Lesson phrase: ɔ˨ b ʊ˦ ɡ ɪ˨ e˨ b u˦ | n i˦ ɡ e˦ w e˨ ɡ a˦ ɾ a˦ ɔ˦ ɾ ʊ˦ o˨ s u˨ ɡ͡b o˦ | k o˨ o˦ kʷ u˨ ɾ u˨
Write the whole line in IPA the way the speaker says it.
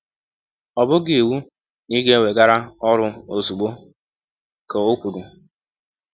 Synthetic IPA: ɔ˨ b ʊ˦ ɡ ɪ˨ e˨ w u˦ | n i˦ ɡ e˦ w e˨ ɡ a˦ ɾ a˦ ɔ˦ ɾ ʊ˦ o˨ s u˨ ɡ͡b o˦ | k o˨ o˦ kʷ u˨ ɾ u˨